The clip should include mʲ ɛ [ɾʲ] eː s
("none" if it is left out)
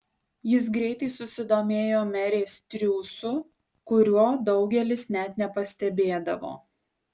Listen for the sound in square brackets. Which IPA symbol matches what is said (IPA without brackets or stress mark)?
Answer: ɾʲ